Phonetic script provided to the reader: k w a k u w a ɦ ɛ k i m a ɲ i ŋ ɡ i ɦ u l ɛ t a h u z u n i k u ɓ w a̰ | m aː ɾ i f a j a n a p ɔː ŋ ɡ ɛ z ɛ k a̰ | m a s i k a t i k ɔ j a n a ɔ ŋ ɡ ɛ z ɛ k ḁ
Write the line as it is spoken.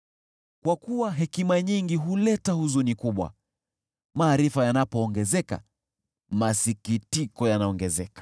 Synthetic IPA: k w a k u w a ɦ ɛ k i m a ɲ i ŋ ɡ i ɦ u l ɛ t a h u z u n i k u ɓ w a̰ | m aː ɾ i f a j a n a p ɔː ŋ ɡ ɛ z ɛ k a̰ | m a s i k i t i k ɔ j a n a ɔ ŋ ɡ ɛ z ɛ k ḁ